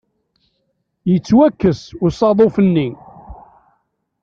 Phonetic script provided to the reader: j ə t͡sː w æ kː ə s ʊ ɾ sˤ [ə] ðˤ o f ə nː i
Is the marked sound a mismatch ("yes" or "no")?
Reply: yes